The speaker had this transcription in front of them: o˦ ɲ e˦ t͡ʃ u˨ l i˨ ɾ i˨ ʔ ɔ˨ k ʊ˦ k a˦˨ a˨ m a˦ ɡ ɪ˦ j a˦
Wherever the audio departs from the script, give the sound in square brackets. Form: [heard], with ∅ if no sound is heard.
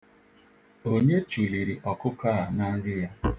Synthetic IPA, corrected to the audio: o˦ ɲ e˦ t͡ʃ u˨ l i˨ ɾ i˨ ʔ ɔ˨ k ʊ˦ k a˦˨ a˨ [n] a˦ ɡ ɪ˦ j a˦